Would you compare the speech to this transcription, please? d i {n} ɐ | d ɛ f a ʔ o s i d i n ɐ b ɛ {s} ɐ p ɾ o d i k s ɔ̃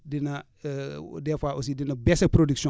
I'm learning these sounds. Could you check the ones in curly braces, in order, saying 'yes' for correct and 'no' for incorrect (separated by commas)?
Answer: yes, yes